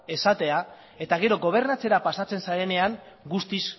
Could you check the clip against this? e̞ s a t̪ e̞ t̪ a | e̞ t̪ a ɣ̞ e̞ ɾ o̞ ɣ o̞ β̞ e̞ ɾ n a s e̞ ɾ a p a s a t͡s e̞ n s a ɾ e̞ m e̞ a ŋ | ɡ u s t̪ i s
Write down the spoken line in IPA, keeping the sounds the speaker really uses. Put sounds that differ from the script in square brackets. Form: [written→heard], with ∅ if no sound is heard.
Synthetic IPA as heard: e̞ s a t̪ e̞ [t̪→∅] a | e̞ t̪ a ɣ̞ e̞ ɾ o̞ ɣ o̞ β̞ e̞ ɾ n a [s→t͡s] e̞ ɾ a p a s a t͡s e̞ n s a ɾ e̞ [m→n] e̞ a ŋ | ɡ u s t̪ i s

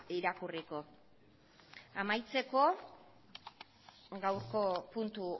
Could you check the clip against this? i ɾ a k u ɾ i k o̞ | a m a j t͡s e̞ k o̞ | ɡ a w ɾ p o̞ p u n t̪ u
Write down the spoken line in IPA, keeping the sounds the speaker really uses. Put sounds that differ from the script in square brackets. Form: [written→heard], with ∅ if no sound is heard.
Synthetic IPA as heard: i ɾ a k u [ɾ→r] i k o̞ | a m a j t͡s e̞ k o̞ | ɡ a w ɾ [p→k] o̞ p u n t̪ u

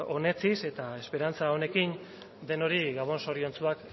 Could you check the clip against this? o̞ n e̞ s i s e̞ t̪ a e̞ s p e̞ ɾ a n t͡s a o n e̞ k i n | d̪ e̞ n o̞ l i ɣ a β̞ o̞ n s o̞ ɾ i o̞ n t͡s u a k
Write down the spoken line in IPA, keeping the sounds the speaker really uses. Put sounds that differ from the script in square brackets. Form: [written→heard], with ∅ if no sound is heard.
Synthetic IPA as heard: o̞ n e̞ [s→t͡s] i s e̞ t̪ a e̞ s p e̞ ɾ a n t͡s a o n e̞ k i n | d̪ e̞ n o̞ [l→ɾ] i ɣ a β̞ o̞ n s o̞ ɾ i o̞ n t͡s u a k

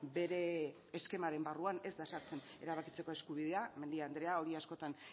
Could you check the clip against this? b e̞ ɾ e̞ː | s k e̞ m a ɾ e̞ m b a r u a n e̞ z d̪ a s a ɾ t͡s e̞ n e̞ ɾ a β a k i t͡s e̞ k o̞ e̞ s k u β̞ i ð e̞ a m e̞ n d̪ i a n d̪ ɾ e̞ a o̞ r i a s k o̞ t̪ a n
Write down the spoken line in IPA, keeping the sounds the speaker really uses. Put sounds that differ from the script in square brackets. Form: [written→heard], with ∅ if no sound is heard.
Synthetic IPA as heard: b e̞ ɾ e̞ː | s k e̞ m a ɾ e̞ m b a r u a n e̞ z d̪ a s a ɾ t͡s e̞ n e̞ ɾ a β a k i t͡s e̞ k o̞ e̞ s k u β̞ i ð e̞ a m e̞ n d̪ i a n d̪ ɾ e̞ a o̞ [r→ɾ] i a s k o̞ t̪ a n

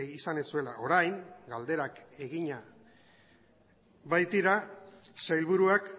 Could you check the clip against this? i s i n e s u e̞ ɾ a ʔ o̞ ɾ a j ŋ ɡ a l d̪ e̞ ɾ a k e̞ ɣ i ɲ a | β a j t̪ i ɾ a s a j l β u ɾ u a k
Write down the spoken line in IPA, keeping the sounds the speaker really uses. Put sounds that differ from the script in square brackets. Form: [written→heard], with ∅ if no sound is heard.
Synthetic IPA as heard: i s [i→a] n e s u e̞ [ɾ→l] a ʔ o̞ ɾ a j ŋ ɡ a l d̪ e̞ ɾ a k e̞ ɣ i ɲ a | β a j t̪ i ɾ a s a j l β u ɾ u a k

